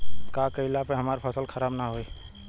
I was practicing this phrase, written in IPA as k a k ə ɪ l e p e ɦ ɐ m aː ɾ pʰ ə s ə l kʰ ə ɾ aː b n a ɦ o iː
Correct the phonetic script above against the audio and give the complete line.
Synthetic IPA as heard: k a k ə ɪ l a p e ɦ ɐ m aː ɾ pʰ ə s ə l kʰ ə ɾ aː b n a ɦ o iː